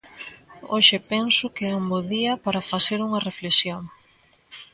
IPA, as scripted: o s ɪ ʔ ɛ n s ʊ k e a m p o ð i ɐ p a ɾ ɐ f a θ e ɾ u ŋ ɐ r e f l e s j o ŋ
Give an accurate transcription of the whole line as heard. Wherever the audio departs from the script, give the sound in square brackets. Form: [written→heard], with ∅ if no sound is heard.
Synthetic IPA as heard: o [s→ʃ] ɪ [ʔ→p] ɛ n s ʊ k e a m [p→b] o ð i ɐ p a ɾ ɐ f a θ e ɾ u ŋ ɐ r e f l e s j o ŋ